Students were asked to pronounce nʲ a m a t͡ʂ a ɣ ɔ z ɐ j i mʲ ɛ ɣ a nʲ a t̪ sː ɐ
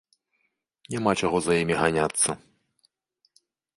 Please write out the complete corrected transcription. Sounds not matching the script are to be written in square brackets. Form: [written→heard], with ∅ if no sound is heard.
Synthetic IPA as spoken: nʲ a m a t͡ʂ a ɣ ɔ z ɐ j i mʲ [ɛ→i] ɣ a nʲ a t̪ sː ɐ